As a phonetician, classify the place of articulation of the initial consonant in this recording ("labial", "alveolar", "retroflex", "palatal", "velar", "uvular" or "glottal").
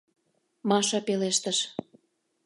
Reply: labial